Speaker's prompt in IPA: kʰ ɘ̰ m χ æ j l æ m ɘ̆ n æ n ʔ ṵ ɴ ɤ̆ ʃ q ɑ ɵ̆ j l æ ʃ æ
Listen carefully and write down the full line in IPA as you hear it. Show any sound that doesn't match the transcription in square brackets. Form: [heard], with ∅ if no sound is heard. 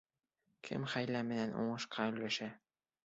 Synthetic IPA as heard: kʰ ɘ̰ m χ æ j l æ m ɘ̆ n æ n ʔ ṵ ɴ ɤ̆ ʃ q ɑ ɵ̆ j l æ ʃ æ